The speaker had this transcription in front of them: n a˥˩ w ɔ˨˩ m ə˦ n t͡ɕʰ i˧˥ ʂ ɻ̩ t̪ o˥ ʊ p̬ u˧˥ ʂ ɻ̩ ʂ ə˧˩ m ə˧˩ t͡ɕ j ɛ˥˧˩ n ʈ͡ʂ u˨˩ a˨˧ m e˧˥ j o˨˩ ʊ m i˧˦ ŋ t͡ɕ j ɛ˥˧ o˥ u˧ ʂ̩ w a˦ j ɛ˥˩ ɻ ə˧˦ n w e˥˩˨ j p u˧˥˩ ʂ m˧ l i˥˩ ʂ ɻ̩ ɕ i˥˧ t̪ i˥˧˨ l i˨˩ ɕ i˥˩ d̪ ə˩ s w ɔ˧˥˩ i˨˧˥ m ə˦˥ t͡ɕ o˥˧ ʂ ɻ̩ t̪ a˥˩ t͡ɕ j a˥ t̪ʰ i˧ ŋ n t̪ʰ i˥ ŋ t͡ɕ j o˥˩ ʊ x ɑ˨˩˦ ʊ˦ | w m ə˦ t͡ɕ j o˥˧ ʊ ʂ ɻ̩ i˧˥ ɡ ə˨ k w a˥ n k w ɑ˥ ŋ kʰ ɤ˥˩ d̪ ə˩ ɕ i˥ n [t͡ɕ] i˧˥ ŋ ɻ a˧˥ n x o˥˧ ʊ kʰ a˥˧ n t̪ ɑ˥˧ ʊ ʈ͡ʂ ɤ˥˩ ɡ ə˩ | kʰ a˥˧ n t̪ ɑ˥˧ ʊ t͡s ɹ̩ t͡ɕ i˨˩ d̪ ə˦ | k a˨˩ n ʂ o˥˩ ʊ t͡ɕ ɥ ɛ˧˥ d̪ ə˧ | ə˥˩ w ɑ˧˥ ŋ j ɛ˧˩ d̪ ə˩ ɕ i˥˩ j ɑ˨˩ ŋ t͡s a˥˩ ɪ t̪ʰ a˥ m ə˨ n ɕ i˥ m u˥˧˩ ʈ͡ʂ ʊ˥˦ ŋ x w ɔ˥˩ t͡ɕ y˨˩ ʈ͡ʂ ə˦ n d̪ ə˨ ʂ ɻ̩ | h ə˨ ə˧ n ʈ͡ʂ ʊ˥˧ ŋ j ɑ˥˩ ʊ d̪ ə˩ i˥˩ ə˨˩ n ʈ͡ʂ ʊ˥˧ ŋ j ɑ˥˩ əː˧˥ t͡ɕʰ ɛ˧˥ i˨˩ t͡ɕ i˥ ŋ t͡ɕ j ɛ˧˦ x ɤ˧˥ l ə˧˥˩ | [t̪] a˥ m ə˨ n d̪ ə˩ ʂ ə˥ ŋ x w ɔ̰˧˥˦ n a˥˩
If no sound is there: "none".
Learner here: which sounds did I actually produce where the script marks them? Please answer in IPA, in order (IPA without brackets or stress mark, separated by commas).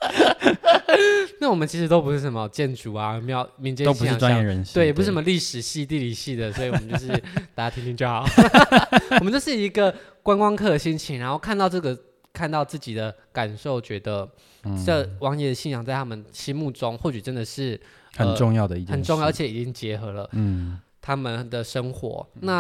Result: t͡ɕʰ, t̪ʰ